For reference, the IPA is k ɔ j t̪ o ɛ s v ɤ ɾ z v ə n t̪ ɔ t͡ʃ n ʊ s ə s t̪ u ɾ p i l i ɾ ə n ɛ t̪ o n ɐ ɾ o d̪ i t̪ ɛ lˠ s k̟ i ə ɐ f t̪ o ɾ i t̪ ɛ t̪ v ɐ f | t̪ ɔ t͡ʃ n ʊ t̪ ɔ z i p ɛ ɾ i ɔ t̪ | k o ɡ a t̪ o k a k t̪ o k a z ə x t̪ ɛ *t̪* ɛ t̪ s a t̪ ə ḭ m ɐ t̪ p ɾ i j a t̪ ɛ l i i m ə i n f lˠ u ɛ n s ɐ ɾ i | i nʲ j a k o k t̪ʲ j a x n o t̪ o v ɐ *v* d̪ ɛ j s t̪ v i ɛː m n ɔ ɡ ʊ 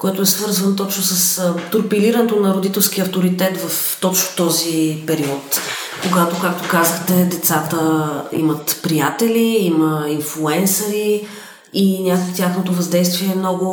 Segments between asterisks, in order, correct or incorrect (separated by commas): incorrect, incorrect